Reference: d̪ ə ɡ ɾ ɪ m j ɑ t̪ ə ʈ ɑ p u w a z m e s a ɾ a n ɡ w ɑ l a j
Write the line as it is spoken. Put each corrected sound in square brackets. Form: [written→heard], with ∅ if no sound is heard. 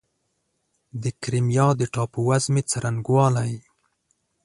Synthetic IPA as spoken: d̪ ə [ɡ→k] ɾ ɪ m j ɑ [t̪→d̪] ə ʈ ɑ p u w a z m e [s→t͡s] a ɾ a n ɡ w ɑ l a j